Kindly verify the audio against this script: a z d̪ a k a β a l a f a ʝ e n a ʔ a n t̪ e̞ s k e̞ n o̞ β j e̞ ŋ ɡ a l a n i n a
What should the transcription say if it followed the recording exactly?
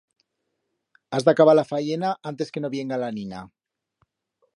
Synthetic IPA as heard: a z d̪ a k a β a l a f a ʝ e n a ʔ a n t̪ e̞ s k e̞ n o̞ β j e̞ ŋ ɡ a l a n i n a